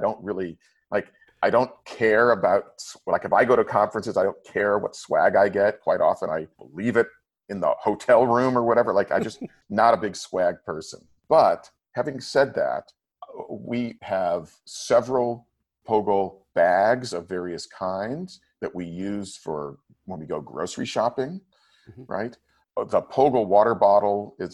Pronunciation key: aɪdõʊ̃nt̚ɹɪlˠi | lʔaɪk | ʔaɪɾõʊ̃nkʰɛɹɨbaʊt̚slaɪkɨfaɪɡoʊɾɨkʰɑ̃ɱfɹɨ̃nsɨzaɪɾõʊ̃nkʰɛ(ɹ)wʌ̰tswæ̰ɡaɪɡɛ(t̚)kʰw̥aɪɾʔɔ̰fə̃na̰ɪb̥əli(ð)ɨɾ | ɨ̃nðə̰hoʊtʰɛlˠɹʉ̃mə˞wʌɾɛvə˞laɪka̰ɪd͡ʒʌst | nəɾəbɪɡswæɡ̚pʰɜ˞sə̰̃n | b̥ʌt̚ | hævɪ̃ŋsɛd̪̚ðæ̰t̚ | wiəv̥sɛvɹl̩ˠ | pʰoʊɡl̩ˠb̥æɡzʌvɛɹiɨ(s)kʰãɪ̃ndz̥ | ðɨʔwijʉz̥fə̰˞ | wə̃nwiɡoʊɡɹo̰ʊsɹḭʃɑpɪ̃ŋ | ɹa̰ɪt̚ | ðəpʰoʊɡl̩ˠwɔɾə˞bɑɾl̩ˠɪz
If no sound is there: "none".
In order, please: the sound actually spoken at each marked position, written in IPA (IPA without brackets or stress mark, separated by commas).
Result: ɹ, t̚, v, s